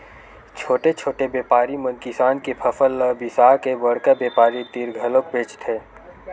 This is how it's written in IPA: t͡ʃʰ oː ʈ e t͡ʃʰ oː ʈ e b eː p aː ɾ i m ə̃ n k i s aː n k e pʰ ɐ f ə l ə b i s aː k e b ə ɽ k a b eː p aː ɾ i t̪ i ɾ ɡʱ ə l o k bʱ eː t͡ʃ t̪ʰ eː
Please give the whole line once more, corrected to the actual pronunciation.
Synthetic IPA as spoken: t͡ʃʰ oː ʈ e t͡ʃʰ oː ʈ e b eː p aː ɾ i m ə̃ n k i s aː n k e pʰ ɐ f ə l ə b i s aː k e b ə ɽ k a b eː p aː ɾ i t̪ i ɾ ɡʱ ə l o k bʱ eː t͡ʃ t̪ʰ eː